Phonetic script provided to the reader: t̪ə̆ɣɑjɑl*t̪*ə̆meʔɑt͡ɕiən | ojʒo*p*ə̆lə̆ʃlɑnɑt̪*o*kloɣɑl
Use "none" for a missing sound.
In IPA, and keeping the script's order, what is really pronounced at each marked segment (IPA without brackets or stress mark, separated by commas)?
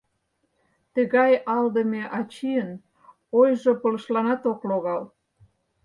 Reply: d̪, p, o